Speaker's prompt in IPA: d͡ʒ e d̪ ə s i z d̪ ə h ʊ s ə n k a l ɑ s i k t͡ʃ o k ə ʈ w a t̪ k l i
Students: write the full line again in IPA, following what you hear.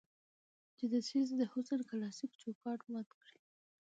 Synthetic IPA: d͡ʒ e d̪ ə s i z d̪ ə h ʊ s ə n k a l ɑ s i k t͡ʃ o k ɑ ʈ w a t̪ k ɽ i